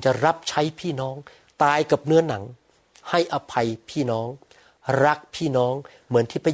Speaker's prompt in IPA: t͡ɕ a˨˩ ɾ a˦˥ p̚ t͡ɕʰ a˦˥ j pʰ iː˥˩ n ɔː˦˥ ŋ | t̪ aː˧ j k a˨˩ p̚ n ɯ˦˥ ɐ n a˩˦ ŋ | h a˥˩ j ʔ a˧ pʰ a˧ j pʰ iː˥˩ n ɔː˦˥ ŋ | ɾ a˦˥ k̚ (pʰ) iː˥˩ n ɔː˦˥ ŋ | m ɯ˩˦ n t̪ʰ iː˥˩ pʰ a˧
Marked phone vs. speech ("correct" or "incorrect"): correct